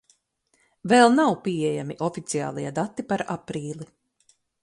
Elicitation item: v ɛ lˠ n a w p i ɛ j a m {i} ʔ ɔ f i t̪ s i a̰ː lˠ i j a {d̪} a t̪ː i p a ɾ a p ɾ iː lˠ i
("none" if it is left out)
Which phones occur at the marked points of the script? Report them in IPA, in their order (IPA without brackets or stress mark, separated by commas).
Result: i, d̪